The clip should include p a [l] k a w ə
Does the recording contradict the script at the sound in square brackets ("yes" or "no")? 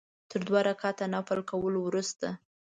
no